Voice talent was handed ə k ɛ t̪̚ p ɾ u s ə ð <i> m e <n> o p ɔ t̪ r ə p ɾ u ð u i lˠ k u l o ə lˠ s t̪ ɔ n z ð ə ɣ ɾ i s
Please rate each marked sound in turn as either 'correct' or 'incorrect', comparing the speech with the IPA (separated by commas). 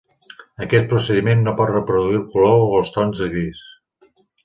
correct, incorrect